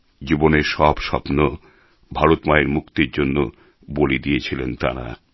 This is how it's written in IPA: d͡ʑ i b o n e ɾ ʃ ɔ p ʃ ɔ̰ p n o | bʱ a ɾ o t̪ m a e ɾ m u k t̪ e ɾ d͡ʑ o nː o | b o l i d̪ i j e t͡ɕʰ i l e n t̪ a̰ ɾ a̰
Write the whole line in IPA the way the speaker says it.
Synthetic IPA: d͡ʑ i b o n e ɾ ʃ ɔ b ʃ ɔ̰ p n o | bʱ a ɾ o t̪ m a e ɾ m u k t̪ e ɾ d͡ʑ o nː o | b o l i d̪ i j e t͡ɕʰ i l e n t̪ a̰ ɾ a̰